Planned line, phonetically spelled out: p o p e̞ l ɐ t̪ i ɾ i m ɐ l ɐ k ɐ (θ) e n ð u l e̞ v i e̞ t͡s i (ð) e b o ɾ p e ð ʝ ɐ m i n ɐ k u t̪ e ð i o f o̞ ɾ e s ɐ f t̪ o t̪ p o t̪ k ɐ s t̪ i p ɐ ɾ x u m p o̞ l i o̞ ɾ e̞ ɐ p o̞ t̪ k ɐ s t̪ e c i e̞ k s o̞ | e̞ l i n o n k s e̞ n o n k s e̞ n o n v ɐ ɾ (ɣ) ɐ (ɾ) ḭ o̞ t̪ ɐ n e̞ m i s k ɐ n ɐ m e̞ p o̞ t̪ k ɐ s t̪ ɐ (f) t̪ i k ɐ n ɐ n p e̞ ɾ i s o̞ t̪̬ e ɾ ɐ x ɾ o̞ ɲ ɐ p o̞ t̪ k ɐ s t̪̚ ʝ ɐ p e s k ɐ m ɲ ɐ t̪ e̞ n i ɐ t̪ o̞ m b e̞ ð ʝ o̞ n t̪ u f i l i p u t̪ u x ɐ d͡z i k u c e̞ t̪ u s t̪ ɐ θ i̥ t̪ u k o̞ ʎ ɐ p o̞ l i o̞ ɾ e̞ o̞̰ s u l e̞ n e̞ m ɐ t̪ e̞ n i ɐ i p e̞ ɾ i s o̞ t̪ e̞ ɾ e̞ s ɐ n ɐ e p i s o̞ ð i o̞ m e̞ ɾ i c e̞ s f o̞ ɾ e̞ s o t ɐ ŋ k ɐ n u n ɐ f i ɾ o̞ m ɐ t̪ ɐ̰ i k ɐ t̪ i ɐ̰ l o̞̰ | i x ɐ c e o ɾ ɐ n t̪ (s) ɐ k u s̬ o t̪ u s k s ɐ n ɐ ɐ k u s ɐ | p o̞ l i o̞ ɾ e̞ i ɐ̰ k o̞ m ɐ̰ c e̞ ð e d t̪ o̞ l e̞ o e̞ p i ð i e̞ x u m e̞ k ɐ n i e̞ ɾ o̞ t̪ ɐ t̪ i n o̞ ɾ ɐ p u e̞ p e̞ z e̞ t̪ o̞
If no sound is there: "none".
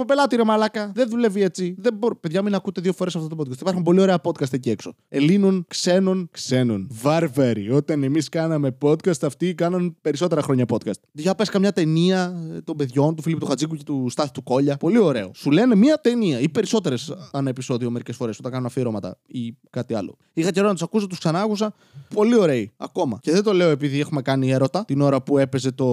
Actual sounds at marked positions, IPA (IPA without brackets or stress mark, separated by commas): ð, ð, v, ɾ, f, s